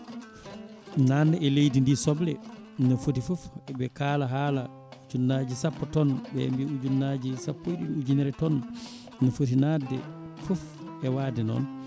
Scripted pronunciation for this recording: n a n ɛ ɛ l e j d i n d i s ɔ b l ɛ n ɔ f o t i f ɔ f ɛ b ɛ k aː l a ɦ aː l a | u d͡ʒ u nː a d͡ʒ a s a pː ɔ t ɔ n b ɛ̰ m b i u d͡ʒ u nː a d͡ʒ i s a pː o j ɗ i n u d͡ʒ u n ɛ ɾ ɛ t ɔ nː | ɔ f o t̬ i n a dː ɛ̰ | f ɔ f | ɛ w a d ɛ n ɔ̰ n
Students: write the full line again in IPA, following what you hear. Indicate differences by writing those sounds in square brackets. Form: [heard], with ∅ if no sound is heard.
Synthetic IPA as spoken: n a n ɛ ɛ l e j d i n d i s ɔ b l ɛ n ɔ f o t i f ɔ f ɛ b ɛ k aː l a ɦ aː l a | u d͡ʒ u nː a d͡ʒ [i] s a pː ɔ t ɔ n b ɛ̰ m b i u d͡ʒ u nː a d͡ʒ i s a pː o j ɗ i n u d͡ʒ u n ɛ ɾ ɛ t ɔ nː | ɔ f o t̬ i n a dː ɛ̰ | f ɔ f | ɛ w a d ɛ n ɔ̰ n